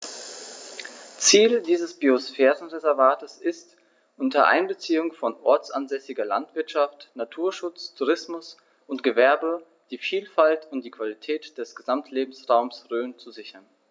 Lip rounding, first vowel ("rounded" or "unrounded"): unrounded